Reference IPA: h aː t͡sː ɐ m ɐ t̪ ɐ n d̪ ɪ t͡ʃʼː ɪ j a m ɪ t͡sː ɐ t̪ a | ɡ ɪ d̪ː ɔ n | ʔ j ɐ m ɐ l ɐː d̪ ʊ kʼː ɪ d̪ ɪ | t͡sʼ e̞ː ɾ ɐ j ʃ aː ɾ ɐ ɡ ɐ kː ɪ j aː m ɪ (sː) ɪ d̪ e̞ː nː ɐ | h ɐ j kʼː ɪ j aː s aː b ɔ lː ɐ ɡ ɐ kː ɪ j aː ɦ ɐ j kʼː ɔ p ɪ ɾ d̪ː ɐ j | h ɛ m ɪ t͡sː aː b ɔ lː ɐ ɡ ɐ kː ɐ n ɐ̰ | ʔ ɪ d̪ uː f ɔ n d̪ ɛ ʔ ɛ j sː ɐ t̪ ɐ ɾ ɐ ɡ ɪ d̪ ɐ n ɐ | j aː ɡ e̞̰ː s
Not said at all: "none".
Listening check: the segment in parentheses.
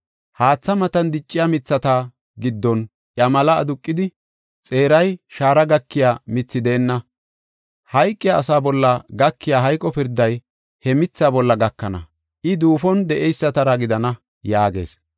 t͡sː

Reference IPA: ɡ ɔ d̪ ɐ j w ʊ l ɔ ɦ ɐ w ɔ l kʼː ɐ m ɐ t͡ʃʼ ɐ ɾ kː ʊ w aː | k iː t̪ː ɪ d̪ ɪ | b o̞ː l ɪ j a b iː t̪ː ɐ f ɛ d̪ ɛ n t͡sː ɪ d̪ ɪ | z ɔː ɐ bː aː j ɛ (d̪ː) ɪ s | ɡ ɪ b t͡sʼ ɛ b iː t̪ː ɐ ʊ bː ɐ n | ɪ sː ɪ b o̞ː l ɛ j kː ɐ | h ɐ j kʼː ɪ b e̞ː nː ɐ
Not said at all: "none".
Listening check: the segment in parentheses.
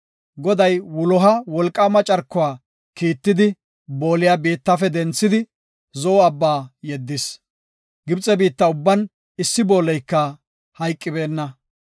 d̪ː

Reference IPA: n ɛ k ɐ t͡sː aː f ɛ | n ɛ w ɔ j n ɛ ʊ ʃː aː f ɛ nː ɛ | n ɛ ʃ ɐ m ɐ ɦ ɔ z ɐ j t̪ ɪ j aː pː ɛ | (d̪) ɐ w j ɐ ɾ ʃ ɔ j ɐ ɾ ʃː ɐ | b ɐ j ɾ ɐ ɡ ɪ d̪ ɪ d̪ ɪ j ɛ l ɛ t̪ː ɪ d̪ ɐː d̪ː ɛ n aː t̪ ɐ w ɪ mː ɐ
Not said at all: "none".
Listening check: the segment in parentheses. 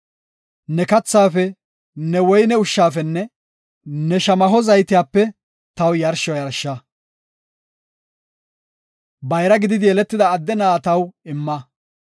t̪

